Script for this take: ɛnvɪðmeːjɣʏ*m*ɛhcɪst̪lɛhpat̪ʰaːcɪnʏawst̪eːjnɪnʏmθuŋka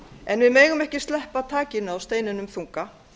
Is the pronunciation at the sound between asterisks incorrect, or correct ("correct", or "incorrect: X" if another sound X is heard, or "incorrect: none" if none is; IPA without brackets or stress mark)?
correct